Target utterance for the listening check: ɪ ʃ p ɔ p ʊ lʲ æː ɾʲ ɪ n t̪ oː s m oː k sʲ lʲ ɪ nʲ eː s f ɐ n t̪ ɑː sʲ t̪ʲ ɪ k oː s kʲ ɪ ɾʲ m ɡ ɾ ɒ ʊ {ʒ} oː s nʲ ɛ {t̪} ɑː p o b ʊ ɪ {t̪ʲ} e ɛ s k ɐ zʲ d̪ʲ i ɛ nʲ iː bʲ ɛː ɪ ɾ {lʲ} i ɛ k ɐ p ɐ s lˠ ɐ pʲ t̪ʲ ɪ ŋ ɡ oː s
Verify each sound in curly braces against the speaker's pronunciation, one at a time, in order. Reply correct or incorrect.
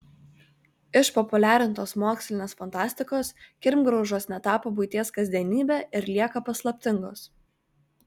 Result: correct, correct, correct, correct

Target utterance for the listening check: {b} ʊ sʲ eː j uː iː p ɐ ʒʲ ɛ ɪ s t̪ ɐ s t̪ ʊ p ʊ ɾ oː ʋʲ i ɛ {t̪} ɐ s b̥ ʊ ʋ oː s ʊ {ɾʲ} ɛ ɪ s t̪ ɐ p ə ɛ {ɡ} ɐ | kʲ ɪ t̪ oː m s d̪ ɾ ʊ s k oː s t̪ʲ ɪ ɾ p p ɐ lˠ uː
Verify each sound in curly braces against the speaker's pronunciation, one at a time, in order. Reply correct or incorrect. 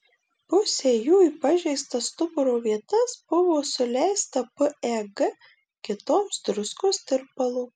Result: incorrect: p, correct, incorrect: lʲ, correct

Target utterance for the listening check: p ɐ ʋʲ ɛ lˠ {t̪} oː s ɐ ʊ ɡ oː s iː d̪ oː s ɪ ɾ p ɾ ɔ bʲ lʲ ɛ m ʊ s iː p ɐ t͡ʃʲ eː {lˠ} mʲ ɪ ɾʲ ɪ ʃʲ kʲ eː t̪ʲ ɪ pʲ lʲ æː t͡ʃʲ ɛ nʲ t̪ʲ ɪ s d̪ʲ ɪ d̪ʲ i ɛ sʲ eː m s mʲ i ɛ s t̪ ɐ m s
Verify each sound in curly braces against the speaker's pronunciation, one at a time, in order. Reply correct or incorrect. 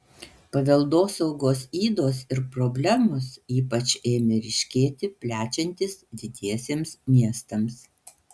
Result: incorrect: d̪, incorrect: none

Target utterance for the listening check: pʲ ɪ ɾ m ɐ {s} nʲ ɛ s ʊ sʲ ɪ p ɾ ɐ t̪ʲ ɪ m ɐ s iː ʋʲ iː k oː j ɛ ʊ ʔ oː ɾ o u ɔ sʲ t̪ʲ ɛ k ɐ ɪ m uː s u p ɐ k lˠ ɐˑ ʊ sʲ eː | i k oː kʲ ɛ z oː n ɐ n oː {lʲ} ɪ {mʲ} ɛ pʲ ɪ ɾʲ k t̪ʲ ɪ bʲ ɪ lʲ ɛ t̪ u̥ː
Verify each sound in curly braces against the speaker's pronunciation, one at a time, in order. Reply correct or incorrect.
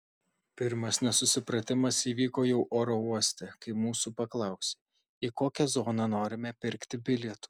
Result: correct, incorrect: ɾʲ, correct

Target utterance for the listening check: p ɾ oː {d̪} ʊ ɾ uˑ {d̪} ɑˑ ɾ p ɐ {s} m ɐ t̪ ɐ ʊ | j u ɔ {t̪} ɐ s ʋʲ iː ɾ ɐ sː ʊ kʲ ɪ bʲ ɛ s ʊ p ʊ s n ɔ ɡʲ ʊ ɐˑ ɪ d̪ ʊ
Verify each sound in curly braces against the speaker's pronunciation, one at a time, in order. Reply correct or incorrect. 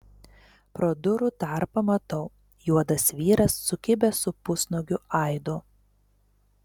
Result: correct, incorrect: t̪, incorrect: none, incorrect: d̪

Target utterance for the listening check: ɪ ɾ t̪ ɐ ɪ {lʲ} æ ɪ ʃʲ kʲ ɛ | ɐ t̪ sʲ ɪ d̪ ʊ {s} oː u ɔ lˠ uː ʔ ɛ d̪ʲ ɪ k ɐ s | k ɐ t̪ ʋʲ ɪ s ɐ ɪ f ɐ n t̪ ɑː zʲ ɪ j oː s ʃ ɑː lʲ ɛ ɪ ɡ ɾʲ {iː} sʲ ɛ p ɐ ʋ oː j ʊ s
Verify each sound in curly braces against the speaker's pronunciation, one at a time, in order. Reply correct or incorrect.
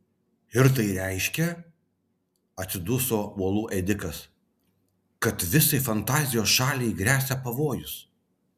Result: incorrect: ɾʲ, correct, incorrect: æː

